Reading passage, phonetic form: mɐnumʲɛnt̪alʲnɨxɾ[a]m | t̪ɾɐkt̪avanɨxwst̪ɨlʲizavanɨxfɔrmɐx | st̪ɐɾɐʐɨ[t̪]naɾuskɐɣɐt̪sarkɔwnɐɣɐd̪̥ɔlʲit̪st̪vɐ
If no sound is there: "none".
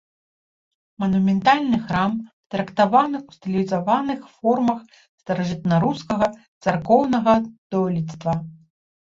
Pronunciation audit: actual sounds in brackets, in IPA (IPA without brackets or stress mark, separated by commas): a, t̪